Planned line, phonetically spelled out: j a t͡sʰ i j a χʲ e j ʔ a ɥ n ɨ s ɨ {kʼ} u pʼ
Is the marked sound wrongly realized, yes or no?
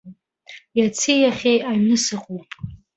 yes